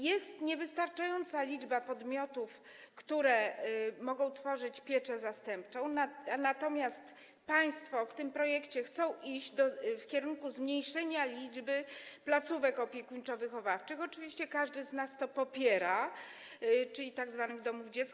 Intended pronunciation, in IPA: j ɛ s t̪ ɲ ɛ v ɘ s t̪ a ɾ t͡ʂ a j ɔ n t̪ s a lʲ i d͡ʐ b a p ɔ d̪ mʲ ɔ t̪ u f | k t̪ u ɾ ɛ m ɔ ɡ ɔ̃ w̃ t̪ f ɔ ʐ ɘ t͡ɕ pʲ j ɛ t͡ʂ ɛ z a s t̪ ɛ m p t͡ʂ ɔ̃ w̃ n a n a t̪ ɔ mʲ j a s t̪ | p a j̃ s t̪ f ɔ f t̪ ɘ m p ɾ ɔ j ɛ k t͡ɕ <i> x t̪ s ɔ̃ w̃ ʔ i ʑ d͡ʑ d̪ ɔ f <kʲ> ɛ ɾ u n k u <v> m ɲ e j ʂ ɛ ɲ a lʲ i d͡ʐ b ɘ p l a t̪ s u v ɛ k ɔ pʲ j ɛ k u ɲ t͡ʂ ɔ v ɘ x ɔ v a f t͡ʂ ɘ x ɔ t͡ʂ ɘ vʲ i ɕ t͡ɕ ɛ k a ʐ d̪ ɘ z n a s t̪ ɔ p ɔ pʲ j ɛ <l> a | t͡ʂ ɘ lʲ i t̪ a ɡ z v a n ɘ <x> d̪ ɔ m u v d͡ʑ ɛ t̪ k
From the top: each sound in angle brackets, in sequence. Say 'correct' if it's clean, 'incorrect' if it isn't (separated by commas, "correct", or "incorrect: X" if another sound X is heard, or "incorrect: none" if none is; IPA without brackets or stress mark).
incorrect: ɛ, correct, incorrect: z, incorrect: ɾ, incorrect: ɣ